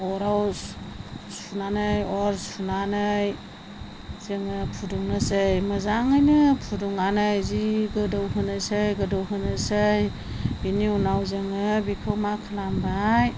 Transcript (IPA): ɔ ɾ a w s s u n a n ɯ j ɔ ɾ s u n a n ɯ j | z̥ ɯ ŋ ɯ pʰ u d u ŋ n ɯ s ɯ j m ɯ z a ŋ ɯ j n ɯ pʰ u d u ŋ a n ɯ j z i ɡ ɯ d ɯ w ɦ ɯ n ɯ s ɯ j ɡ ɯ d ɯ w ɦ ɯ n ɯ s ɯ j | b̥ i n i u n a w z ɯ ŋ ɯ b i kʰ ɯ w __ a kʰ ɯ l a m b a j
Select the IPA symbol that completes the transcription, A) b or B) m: B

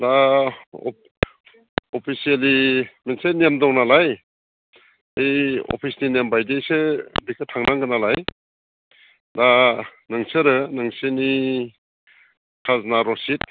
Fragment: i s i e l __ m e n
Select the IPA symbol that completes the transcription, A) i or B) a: A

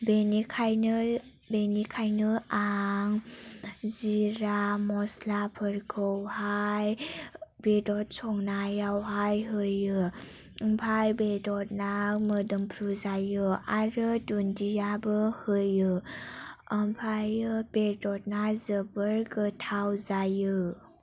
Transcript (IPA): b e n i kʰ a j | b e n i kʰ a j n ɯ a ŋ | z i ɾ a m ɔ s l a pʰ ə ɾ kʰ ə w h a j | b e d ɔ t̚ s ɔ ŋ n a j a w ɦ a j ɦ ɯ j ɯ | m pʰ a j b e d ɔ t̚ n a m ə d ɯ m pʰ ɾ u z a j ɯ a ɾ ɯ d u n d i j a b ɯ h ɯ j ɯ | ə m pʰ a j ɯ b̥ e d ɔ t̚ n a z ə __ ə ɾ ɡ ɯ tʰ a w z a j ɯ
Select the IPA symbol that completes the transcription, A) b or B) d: A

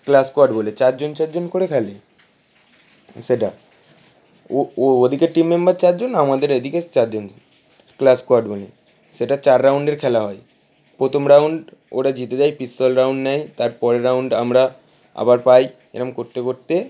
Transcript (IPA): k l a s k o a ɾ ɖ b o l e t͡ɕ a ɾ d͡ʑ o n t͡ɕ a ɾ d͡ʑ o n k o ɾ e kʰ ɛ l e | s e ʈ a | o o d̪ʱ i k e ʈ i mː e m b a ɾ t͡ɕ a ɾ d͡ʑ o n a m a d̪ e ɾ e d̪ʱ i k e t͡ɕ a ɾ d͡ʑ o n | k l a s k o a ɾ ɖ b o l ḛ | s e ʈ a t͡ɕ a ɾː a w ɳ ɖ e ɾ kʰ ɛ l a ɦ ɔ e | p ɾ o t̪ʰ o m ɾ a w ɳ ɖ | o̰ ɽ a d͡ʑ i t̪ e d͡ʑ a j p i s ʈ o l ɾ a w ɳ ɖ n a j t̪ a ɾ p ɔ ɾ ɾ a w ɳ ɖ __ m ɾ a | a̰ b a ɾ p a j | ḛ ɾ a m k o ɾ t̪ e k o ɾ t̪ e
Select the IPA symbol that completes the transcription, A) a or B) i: A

